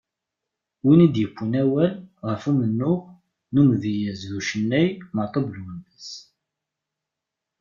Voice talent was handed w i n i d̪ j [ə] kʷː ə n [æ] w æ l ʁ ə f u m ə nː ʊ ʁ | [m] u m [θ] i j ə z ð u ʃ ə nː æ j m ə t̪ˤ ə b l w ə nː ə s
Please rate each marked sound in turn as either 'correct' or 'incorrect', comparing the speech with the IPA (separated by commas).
correct, correct, incorrect, incorrect